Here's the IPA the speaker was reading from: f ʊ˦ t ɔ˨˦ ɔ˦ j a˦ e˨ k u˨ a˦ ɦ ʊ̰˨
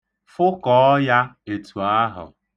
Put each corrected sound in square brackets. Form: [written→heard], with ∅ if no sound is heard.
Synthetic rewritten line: f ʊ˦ [t→k] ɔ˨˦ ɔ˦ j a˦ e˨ [k→t] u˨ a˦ ɦ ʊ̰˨